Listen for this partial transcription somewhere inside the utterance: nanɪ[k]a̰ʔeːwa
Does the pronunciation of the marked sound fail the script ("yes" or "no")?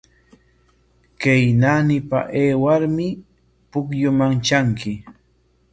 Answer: yes